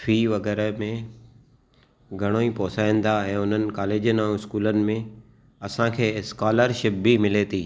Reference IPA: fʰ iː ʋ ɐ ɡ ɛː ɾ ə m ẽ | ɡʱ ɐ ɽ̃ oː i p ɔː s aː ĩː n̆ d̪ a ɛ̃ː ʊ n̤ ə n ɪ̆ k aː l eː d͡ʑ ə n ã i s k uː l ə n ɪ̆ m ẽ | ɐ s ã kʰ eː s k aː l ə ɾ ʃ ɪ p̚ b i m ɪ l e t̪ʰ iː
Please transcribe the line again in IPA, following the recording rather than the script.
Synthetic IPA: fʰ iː ʋ ɐ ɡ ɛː ɾ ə m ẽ | ɡʱ ɐ ɽ̃ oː i p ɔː s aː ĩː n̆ d̪ a ɛ̃ː ʊ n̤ ə n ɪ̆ k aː l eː d͡ʑ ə n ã ɪ s k uː l ə n ɪ̆ m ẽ | ɐ s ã kʰ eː s k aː l ə ɾ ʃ ɪ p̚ b i m ɪ l e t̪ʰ iː